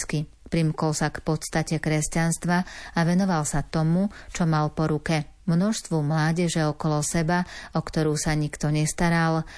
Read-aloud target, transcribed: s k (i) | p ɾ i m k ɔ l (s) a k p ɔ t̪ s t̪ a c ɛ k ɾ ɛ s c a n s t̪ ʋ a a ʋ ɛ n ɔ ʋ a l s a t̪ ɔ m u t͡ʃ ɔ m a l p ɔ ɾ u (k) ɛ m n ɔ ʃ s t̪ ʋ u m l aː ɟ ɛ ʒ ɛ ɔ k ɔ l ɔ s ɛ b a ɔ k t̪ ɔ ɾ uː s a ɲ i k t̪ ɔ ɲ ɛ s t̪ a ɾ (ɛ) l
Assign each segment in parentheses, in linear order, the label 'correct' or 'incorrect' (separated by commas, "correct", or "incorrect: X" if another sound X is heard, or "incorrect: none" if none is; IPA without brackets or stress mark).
correct, correct, correct, incorrect: a